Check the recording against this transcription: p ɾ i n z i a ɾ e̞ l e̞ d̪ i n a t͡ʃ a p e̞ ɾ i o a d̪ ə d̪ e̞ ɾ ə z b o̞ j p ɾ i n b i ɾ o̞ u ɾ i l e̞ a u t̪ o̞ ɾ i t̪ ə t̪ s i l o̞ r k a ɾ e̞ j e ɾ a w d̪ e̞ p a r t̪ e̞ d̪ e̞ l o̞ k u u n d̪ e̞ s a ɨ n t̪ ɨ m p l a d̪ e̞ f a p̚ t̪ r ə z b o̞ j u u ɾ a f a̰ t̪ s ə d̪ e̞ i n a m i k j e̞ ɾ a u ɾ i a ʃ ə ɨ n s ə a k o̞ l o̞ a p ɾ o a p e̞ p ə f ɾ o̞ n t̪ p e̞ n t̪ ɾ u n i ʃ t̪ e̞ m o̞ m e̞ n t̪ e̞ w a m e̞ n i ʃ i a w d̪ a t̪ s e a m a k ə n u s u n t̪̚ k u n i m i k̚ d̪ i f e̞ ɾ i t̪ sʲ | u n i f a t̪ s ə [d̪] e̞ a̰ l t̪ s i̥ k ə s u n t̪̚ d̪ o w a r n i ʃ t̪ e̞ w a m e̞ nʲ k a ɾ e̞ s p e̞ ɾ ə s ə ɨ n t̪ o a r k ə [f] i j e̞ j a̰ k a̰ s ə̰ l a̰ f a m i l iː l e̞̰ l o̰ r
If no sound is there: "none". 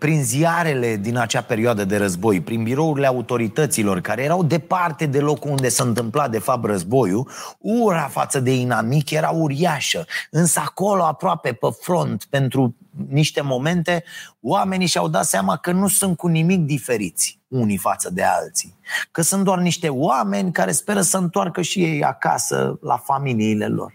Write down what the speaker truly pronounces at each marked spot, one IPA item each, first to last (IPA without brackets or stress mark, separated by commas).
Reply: d̪, ʃ